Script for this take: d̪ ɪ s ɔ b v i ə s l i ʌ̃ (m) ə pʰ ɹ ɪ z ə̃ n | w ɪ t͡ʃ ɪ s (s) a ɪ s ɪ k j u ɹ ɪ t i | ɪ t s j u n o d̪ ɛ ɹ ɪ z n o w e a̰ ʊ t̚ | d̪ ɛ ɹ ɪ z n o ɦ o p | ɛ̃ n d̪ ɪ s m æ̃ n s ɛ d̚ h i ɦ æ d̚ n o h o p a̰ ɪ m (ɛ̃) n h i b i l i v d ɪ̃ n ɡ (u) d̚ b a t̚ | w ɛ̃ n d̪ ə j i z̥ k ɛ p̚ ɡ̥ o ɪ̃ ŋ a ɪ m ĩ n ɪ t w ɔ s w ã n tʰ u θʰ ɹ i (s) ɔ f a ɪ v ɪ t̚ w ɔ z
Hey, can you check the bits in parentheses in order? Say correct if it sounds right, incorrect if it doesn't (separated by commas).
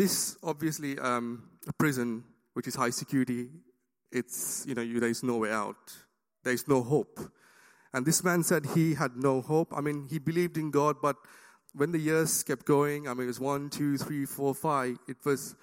correct, incorrect, incorrect, incorrect, incorrect